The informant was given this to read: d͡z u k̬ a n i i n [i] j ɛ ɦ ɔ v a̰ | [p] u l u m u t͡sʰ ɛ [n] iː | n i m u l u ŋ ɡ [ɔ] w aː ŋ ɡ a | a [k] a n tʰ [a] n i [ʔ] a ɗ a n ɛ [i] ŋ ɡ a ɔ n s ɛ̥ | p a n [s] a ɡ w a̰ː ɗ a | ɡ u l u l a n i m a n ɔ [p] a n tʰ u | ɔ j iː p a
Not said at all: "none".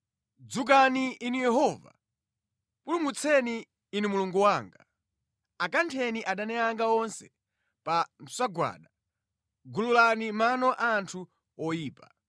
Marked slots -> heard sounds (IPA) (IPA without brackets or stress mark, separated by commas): i, p, n, u, k, ɛ, ʔ, a, s, ʔ